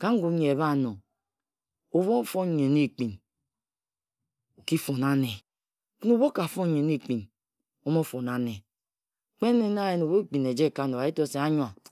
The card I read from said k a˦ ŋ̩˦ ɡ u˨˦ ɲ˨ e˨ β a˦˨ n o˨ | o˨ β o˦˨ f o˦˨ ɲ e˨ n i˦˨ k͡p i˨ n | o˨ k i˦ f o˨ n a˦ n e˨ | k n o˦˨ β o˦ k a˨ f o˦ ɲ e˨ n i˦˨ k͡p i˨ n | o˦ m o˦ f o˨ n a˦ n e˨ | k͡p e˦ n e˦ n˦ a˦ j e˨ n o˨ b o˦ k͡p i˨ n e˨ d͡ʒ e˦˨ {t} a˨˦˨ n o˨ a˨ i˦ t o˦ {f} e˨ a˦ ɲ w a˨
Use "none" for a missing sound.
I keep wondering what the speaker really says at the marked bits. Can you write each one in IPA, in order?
k, s

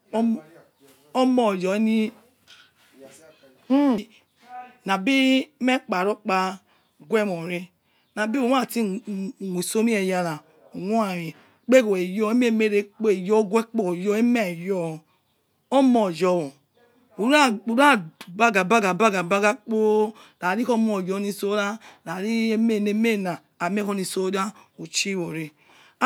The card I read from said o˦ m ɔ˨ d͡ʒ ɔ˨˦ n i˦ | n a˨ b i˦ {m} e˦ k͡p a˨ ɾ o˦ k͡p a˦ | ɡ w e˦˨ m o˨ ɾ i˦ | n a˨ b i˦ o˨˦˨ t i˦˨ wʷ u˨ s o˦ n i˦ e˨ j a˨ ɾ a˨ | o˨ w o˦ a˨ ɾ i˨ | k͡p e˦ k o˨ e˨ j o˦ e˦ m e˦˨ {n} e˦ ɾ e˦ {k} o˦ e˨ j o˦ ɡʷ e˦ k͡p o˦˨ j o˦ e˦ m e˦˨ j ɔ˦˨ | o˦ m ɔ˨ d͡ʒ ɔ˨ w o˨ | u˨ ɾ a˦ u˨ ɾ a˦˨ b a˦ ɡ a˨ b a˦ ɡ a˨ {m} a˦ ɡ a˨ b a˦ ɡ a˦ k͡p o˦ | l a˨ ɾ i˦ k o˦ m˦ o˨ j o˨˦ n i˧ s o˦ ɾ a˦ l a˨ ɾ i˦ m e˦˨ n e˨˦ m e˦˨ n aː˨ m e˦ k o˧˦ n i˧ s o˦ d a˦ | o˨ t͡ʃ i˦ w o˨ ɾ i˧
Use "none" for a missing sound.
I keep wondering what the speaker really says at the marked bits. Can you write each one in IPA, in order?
m, m, k͡p, b

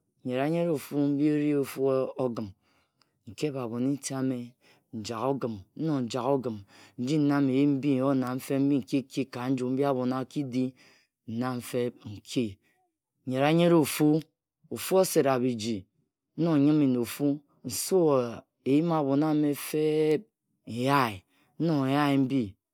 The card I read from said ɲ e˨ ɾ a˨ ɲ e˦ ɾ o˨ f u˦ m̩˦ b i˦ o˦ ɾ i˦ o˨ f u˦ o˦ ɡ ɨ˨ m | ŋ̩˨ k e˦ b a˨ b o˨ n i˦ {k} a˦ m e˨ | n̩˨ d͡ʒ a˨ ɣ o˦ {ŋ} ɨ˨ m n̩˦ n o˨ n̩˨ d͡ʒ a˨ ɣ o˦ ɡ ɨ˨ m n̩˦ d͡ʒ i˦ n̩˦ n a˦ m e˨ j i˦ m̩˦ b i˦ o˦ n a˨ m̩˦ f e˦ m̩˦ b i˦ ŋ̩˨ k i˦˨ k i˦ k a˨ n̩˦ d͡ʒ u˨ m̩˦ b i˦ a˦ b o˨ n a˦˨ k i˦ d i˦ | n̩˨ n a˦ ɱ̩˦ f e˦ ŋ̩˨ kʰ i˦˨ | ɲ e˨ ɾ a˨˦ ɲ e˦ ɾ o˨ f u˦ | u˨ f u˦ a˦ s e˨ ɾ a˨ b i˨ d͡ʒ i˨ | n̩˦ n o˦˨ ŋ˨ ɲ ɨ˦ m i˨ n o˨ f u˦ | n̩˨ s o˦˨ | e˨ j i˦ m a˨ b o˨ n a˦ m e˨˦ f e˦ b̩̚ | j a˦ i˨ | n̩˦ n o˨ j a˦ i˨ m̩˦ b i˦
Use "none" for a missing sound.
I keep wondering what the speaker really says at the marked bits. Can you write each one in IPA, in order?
t, ɡ

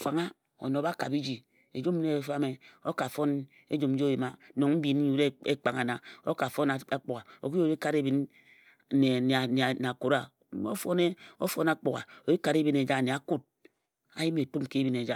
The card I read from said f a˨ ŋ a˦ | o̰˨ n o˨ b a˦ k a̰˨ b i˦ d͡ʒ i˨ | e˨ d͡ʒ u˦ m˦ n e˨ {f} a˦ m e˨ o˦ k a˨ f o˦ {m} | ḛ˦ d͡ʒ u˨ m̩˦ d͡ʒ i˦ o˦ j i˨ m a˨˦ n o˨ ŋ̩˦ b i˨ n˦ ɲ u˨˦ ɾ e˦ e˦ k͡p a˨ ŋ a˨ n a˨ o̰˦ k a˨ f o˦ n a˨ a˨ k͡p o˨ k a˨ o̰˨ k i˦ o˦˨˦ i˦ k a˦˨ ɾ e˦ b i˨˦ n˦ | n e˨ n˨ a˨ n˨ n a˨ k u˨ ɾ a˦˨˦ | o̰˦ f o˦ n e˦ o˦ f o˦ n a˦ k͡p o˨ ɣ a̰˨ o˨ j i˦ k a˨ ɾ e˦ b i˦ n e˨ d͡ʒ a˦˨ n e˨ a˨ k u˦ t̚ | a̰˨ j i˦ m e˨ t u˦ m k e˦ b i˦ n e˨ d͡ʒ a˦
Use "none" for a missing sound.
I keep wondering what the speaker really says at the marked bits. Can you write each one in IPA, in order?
f, n

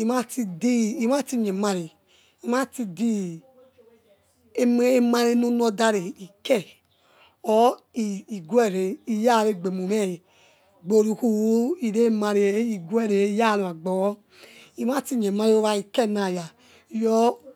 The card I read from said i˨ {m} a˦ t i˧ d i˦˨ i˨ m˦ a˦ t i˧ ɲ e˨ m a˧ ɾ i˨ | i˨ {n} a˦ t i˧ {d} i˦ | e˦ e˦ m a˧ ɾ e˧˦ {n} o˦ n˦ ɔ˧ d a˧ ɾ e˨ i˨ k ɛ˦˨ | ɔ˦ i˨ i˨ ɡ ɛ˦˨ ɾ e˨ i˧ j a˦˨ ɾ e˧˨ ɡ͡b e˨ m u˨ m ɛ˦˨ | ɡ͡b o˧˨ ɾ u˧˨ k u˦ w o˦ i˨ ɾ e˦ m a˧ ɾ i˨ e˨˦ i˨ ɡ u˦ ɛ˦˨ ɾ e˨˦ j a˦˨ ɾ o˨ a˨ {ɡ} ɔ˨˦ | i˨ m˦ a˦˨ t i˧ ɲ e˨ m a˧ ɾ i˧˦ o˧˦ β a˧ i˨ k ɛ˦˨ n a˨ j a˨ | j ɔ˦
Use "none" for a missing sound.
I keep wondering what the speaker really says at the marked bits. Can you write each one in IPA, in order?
m, m, d, n, ɡ͡b

